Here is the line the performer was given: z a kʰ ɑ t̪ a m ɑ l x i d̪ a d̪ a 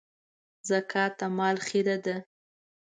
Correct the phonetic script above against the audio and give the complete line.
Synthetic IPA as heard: z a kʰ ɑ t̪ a m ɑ l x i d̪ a d̪ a